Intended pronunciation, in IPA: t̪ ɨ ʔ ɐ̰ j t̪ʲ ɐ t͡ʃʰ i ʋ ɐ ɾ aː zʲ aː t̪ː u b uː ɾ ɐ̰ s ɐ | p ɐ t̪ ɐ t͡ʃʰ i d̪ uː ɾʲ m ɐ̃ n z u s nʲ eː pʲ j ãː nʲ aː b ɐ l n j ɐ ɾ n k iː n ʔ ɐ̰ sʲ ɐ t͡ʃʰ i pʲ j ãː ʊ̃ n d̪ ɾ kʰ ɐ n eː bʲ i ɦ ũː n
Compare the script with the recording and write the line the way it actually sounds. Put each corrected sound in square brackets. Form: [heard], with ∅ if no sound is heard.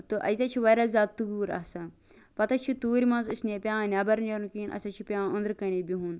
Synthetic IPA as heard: t̪ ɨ ʔ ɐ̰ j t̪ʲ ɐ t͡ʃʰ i ʋ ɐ ɾ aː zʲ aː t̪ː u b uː ɾ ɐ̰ s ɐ | p ɐ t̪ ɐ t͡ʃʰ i [t̪] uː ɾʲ m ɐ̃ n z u s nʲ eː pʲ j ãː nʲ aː b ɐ [ɾ] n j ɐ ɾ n k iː n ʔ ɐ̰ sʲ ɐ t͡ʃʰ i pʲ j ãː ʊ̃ n d̪ ɾ [k] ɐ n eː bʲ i ɦ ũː n